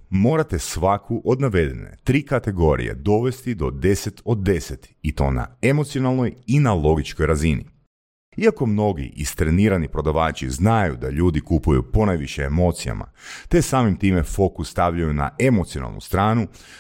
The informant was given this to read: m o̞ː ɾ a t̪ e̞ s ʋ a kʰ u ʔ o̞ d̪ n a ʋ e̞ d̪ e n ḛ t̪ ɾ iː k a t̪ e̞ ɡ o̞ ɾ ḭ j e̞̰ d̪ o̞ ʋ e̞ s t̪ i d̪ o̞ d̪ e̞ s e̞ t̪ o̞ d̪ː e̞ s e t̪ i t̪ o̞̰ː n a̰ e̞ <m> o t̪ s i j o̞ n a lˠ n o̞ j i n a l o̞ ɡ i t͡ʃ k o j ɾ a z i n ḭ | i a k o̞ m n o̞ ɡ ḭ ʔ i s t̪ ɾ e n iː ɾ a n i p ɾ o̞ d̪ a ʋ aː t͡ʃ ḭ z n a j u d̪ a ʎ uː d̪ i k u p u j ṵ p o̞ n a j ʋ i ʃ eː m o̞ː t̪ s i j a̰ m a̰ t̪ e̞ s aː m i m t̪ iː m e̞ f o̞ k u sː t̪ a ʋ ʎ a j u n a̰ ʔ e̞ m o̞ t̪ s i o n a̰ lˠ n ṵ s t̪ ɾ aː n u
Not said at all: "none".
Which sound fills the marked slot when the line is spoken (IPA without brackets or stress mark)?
m